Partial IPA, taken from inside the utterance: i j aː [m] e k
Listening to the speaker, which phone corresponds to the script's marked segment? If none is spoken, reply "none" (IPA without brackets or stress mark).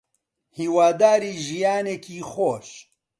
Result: n